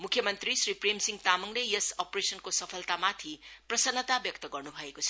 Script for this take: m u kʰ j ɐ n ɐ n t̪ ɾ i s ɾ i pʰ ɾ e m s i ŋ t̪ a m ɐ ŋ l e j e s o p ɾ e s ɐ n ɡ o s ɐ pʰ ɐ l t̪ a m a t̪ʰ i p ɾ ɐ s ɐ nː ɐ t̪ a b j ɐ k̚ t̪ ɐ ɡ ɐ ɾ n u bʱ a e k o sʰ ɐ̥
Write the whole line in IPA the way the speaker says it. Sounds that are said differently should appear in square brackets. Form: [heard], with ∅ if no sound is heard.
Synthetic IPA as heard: m u kʰ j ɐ [m] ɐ n t̪ ɾ i s ɾ i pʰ ɾ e m s i ŋ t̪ a m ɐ ŋ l e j e s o p ɾ e s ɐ n [k] o s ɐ pʰ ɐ l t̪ a m a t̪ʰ i p ɾ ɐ s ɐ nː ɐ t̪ a b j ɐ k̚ t̪ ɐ ɡ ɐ ɾ n u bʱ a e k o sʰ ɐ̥